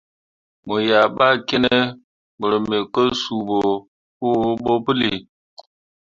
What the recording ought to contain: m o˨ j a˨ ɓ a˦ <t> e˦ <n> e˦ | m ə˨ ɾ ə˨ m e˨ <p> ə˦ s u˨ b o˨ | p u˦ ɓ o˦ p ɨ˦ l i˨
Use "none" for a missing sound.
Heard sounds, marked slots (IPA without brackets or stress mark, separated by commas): k, n, k